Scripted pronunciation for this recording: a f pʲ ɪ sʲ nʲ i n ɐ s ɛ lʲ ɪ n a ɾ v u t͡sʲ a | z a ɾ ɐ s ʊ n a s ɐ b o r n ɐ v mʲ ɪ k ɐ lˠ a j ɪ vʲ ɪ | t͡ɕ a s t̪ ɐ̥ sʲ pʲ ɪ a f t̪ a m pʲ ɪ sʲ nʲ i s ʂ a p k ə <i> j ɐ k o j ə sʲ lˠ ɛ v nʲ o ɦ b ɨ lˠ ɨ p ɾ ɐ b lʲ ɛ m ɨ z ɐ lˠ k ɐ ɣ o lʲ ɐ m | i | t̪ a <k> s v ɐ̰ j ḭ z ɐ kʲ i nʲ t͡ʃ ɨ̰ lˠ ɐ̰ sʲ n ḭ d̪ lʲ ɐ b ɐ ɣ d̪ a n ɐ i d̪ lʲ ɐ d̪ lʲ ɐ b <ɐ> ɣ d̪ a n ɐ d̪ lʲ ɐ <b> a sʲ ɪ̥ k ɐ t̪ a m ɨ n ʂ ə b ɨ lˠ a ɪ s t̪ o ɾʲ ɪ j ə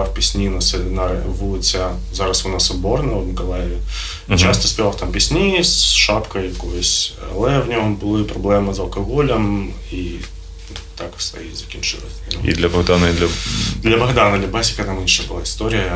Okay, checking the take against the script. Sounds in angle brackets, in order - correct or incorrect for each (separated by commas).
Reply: incorrect, correct, correct, correct